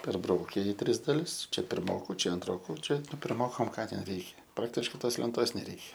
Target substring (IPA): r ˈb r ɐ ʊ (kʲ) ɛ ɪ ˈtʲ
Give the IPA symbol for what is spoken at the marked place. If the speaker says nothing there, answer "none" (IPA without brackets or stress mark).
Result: kʲ